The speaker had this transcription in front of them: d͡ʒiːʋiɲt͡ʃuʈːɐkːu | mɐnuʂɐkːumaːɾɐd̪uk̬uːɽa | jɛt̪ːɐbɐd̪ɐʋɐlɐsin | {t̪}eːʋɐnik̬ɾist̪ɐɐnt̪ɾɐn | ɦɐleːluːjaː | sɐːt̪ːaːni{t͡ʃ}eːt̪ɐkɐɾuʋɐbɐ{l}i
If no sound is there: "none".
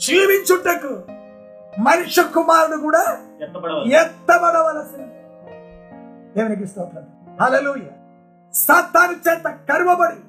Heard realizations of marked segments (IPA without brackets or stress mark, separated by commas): d̪, t͡ʃ, ɽ